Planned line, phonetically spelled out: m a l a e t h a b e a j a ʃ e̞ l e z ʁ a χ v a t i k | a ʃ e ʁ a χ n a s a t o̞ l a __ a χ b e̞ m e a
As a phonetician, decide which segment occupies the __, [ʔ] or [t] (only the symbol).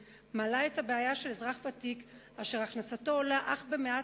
ʔ